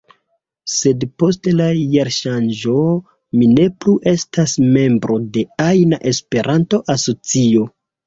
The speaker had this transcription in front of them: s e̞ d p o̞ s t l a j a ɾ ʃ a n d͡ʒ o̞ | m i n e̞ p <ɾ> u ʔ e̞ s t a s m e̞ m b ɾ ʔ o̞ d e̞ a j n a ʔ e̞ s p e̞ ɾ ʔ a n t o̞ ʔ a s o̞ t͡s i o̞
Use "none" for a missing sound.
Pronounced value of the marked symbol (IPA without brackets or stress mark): l